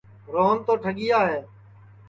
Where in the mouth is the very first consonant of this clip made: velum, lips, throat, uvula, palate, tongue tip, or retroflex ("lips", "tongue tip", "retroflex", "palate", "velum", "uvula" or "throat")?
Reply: tongue tip